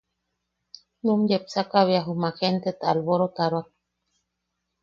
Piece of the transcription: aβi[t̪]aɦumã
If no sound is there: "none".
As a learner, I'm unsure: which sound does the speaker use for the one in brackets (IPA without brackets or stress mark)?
none